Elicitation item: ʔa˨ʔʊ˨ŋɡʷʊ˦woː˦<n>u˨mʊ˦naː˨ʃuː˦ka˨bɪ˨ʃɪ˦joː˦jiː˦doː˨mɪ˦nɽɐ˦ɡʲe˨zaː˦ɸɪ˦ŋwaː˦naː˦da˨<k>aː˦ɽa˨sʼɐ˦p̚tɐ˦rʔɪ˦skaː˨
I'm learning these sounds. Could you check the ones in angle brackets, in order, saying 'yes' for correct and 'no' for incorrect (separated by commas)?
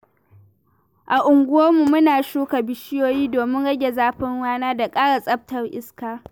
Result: no, no